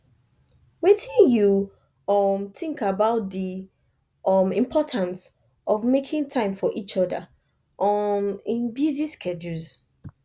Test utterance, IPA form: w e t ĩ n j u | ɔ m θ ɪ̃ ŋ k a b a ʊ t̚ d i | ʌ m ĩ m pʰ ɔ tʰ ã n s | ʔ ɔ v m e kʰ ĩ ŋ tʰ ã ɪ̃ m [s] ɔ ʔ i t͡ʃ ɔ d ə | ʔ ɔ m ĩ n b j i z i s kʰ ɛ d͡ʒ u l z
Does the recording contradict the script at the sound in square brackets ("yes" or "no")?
yes